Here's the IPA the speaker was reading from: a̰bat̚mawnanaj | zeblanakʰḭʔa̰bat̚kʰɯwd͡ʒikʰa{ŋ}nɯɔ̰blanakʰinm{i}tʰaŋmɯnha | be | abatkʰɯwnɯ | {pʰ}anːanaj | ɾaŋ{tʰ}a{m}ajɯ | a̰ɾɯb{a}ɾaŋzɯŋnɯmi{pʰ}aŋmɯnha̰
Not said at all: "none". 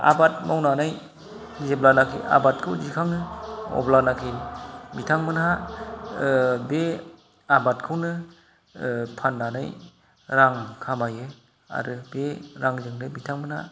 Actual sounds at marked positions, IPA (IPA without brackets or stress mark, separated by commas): ŋ, i, pʰ, kʰ, m, e, tʰ